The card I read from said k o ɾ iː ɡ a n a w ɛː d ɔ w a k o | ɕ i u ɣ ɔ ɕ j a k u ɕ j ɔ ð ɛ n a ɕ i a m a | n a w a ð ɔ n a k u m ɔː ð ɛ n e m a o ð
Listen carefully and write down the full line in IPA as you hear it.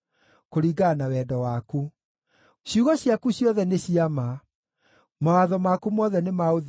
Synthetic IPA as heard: k o ɾ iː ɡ a n a w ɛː d ɔ w a k u | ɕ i u ɣ ɔ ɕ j a k u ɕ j ɔ ð ɛ n e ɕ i a m a | m a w a ð ɔ m a k u m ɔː ð ɛ n e m a o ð